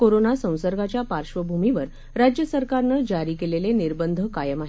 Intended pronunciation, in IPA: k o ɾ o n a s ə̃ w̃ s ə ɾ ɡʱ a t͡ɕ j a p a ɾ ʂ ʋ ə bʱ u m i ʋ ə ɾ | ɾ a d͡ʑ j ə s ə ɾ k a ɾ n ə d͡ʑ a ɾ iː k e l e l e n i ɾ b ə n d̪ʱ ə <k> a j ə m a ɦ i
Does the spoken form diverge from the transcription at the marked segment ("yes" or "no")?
no